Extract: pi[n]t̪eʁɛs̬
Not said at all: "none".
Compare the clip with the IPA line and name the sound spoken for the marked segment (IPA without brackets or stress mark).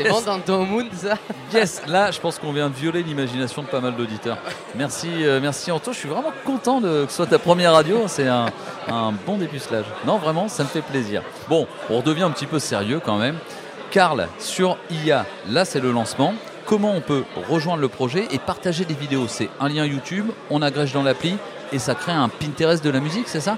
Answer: n